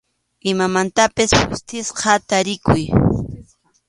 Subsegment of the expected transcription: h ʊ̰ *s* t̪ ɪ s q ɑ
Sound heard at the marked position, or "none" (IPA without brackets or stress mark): s